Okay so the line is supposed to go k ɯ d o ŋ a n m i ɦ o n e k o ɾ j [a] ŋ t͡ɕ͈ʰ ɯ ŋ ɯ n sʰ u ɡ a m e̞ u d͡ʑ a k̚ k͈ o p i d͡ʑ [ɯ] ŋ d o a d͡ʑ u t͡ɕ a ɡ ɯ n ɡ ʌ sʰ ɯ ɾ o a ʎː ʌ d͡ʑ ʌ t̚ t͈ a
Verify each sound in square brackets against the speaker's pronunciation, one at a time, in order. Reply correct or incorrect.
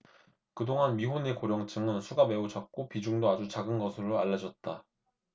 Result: incorrect, incorrect

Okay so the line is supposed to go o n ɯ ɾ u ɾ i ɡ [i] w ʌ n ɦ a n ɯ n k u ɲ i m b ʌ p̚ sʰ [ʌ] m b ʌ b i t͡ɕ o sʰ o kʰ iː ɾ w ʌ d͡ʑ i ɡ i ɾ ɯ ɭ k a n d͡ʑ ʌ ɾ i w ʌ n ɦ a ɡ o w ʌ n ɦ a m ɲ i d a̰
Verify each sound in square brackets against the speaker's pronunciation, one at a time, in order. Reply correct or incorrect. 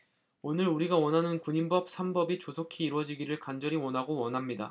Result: incorrect, incorrect

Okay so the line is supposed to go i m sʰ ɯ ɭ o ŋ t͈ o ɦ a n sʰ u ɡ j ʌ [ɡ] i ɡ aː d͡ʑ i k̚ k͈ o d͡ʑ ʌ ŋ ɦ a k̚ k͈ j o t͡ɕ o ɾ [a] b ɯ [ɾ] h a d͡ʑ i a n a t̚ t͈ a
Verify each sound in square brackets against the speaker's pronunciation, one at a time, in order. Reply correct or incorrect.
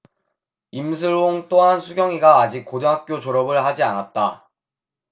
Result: incorrect, incorrect, incorrect

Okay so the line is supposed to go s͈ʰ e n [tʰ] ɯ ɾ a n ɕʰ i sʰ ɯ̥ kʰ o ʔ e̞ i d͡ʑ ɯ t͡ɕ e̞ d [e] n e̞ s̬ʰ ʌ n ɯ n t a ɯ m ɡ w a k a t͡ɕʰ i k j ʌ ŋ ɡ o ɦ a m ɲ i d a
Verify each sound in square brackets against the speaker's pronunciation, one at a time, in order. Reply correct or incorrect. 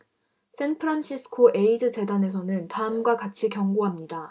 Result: incorrect, incorrect

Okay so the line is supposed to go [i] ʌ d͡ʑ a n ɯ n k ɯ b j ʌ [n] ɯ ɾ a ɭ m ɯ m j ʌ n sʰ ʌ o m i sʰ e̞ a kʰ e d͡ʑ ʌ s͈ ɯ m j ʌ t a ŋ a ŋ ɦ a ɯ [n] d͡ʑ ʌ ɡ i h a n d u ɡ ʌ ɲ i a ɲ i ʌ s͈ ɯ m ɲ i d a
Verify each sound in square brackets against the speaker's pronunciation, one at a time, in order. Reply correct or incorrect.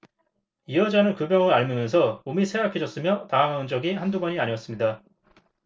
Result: correct, incorrect, correct

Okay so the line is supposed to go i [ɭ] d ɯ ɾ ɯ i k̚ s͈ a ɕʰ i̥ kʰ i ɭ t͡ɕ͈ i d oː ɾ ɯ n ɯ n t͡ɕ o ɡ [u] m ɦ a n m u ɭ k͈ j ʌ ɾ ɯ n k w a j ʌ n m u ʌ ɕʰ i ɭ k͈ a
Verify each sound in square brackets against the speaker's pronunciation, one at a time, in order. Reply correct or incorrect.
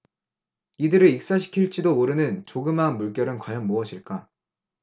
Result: incorrect, incorrect

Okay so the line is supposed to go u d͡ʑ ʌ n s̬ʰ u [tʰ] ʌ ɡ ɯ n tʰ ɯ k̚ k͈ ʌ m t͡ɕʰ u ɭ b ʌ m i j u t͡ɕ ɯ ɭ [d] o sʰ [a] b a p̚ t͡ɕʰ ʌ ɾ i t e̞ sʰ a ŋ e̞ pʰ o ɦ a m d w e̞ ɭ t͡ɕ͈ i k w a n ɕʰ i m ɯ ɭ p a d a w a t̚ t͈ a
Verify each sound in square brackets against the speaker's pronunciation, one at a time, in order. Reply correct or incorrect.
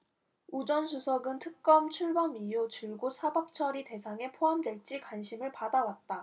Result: incorrect, incorrect, correct

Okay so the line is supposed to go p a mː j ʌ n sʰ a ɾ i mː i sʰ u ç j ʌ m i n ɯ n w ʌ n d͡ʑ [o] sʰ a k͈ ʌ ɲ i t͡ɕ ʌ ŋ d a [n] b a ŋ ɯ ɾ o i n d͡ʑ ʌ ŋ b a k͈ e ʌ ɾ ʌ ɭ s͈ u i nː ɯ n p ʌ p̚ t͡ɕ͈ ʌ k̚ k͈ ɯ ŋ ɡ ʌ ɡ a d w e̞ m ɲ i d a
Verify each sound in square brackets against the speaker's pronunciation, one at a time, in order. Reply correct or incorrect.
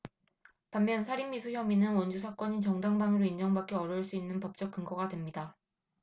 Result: incorrect, incorrect

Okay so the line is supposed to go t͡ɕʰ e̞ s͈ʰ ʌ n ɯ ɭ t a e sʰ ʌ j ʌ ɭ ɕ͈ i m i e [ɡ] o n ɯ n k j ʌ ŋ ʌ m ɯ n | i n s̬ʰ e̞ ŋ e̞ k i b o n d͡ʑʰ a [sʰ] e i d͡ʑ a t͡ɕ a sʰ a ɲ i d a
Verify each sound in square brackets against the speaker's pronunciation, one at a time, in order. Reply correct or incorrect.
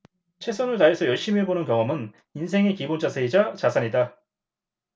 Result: incorrect, correct

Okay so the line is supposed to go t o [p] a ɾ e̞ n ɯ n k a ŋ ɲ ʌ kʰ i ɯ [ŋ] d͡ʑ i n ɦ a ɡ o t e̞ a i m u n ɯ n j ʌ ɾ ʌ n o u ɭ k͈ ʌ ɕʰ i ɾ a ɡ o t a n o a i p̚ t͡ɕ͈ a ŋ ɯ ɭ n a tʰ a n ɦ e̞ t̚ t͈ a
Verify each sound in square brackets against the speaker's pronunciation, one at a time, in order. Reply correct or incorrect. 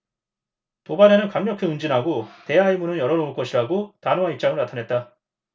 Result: incorrect, incorrect

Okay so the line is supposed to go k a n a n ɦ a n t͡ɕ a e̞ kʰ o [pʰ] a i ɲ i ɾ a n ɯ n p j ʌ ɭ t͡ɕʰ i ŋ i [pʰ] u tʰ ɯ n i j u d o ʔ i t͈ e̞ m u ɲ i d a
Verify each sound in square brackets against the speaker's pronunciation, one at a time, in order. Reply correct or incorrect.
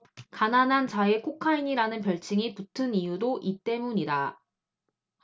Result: incorrect, incorrect

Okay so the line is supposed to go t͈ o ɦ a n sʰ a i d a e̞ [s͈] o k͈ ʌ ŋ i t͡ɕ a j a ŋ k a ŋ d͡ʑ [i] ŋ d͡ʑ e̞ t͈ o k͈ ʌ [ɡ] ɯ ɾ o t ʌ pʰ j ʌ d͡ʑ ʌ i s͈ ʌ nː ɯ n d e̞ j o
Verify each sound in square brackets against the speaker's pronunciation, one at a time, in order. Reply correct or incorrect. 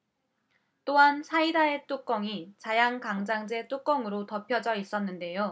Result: incorrect, incorrect, incorrect

